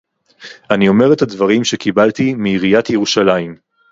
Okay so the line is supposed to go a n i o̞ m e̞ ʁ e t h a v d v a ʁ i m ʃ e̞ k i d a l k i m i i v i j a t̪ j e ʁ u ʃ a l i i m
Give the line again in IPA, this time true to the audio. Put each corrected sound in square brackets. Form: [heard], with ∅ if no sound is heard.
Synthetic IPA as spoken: a n i o̞ m e̞ ʁ e t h a [∅] d v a ʁ i m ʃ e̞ k i [b] a l [t] i m i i [ʁ] i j a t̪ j e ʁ u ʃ a l [a] i m

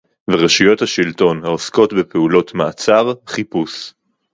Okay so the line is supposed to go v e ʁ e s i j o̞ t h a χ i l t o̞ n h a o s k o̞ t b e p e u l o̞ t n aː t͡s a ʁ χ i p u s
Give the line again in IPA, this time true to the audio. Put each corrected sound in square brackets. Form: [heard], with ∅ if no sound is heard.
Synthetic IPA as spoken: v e ʁ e [ʃ] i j o̞ t h a [ʃ] i l t o̞ n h a o s k o̞ t b e p e u l o̞ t [m] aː t͡s a ʁ χ i p u s

